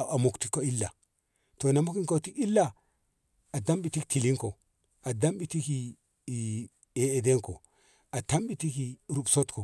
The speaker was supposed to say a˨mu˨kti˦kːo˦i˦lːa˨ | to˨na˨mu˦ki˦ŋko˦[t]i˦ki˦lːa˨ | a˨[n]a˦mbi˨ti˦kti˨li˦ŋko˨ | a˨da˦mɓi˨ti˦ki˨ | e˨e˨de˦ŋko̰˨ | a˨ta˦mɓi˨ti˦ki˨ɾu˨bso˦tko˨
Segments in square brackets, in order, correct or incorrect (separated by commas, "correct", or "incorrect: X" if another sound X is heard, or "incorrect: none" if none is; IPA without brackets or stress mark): correct, incorrect: d